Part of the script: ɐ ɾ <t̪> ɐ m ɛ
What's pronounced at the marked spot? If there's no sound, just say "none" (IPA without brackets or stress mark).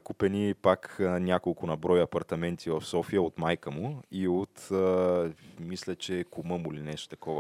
t̪